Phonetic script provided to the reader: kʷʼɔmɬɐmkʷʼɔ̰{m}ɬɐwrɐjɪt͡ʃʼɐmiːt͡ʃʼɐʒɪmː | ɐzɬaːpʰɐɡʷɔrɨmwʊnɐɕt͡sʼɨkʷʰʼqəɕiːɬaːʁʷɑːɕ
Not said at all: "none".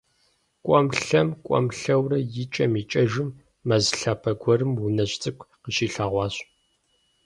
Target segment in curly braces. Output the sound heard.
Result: m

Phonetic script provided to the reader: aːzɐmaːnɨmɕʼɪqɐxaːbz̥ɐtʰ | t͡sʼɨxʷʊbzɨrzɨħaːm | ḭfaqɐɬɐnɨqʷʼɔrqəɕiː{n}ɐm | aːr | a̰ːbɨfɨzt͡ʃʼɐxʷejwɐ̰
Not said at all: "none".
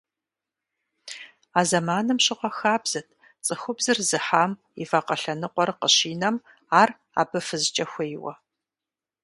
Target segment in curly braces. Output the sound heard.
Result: n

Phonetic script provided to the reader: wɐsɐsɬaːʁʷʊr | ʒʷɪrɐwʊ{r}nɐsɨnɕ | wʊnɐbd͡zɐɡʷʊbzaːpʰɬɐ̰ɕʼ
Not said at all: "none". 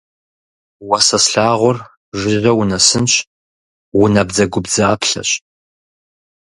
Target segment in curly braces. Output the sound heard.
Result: none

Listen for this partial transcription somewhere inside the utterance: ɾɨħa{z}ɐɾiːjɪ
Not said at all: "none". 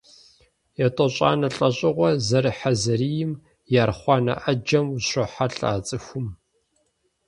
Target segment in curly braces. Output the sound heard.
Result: z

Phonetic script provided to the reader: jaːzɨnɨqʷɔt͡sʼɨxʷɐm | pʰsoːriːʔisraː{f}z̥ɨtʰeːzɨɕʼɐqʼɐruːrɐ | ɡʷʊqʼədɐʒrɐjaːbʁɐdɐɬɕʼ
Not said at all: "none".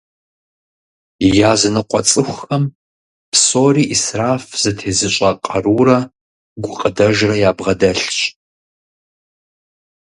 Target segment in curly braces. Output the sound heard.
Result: f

